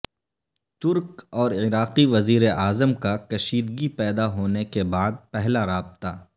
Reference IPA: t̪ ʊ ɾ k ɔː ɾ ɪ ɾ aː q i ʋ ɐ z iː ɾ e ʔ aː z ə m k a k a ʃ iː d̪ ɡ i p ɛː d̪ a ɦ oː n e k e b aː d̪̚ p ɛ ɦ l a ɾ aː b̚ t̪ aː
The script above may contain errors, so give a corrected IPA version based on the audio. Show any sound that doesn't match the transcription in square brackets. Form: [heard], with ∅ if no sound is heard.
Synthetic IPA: t̪ ʊ ɾ k ɔː ɾ ɪ ɾ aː q i ʋ ɐ z iː ɾ e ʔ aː z ə m k a k [ɐ] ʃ iː d̪ ɡ i p ɛː d̪ a ɦ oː n e k e b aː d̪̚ p ɛ ɦ l a ɾ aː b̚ t̪ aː